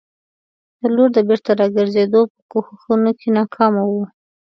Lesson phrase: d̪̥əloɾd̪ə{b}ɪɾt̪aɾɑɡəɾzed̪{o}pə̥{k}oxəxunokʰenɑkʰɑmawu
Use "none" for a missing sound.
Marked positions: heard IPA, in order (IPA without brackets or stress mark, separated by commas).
b, o, k